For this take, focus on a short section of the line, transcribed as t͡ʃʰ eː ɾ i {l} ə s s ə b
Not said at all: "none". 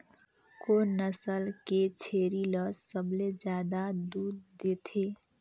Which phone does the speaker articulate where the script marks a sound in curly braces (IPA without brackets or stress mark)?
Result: l